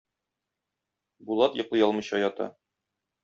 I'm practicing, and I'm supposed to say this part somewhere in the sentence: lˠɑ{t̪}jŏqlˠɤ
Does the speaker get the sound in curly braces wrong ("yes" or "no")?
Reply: no